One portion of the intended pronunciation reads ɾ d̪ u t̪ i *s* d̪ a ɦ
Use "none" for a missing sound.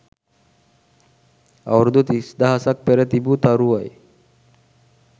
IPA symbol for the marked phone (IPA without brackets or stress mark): s